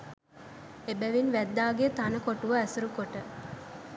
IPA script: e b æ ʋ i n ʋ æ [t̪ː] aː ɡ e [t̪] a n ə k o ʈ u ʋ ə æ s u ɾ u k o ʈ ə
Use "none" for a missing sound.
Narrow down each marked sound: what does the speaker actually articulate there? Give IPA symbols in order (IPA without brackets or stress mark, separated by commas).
d̪ː, t̪